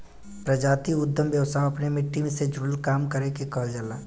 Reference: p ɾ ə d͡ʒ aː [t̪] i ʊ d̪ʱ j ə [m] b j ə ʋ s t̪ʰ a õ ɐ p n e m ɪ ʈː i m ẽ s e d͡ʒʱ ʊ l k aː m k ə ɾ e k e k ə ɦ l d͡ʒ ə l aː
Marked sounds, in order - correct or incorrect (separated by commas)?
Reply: correct, correct